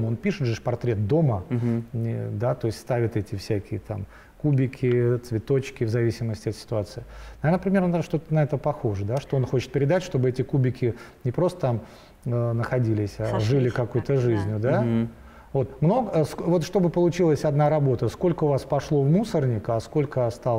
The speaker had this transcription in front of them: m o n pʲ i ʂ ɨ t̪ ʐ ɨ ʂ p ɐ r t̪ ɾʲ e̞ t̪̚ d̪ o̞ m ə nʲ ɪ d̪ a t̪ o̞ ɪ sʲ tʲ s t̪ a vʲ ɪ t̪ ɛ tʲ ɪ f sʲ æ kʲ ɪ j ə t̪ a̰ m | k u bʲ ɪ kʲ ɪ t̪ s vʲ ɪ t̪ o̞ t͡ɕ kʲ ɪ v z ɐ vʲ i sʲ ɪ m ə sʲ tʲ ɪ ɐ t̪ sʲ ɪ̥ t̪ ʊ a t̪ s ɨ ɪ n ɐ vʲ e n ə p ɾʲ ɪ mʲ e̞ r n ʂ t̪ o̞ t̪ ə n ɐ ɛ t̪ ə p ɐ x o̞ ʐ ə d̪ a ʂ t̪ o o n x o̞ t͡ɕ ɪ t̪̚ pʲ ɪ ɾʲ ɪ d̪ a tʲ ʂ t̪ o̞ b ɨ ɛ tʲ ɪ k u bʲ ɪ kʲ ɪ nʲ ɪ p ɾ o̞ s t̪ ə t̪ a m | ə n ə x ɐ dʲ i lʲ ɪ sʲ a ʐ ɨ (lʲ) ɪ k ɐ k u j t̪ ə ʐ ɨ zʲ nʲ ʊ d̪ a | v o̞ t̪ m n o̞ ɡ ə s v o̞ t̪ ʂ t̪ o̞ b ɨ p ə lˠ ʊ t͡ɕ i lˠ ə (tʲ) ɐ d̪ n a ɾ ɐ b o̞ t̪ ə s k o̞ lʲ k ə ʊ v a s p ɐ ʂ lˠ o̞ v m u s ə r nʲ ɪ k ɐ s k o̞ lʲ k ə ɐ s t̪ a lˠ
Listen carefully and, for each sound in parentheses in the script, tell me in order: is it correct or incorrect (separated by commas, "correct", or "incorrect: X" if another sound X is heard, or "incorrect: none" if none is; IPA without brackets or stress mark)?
correct, incorrect: sʲ